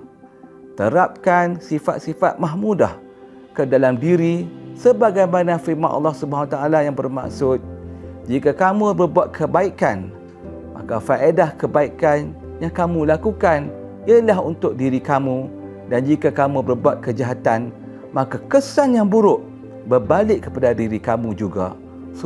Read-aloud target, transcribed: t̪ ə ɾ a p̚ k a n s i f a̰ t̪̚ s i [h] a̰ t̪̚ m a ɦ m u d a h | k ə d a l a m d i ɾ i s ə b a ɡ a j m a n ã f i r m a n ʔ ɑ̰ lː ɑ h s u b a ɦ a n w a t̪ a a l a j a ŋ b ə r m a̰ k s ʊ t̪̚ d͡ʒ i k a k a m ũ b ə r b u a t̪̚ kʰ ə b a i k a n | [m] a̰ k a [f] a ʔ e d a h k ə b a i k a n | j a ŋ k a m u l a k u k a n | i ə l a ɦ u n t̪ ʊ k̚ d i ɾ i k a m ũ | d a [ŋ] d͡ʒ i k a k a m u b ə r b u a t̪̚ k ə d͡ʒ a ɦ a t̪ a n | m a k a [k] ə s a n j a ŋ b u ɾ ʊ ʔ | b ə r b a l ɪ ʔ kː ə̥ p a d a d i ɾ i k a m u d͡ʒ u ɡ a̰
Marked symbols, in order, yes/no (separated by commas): no, yes, yes, no, yes